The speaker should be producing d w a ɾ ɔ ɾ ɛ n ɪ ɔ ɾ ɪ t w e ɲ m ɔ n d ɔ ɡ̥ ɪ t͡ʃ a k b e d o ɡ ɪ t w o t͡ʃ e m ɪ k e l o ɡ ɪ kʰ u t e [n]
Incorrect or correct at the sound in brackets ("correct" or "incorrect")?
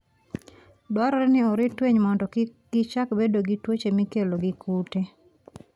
incorrect